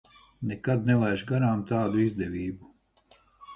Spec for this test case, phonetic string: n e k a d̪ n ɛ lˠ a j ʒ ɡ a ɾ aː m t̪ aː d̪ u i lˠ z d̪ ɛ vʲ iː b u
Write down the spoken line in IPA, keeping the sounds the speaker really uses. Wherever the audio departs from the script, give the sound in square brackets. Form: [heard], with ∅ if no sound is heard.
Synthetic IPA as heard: n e k a d̪ n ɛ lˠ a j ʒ ɡ a ɾ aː m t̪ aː d̪ u i [∅] z d̪ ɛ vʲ iː b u